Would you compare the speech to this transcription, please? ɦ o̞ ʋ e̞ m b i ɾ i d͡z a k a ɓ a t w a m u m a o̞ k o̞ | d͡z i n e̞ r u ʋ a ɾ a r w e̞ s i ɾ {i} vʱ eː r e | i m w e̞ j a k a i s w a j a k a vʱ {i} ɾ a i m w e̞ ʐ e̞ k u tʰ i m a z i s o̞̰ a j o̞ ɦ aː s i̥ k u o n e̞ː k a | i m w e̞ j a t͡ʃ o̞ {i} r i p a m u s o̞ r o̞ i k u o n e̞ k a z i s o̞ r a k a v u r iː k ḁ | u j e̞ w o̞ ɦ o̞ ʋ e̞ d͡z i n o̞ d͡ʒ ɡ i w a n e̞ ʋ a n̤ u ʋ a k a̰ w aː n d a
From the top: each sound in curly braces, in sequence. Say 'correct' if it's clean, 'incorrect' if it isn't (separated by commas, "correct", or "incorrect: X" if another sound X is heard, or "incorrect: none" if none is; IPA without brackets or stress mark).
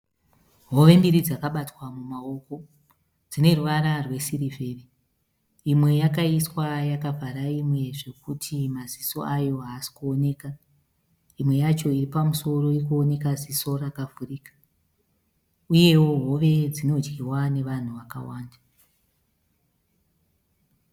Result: correct, incorrect: a, correct